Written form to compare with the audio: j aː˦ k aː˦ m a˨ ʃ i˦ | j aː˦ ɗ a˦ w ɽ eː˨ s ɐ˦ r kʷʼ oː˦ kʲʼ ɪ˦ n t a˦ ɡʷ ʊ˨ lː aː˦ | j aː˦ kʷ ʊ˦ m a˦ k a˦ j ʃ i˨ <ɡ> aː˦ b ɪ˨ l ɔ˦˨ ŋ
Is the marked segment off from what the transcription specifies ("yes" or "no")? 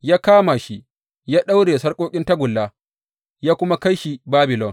yes